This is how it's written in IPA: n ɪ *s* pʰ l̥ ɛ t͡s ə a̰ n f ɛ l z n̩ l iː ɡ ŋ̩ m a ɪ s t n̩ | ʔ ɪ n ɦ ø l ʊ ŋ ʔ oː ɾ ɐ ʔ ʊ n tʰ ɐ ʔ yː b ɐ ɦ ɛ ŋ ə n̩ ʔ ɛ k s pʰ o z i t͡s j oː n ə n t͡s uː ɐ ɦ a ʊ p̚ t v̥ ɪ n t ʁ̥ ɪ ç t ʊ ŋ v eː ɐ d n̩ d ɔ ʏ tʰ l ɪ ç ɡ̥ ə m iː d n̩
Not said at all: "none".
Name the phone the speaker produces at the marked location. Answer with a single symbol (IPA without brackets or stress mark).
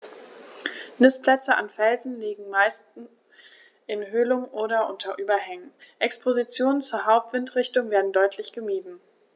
s